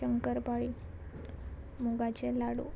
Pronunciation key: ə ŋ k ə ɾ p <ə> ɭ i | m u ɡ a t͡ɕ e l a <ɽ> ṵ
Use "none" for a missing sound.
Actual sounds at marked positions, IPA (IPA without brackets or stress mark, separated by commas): a, ɽ